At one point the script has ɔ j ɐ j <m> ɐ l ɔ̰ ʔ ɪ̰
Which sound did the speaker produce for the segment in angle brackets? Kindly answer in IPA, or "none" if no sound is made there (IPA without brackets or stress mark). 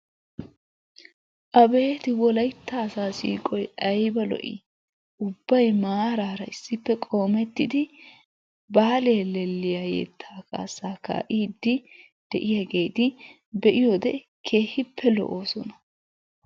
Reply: b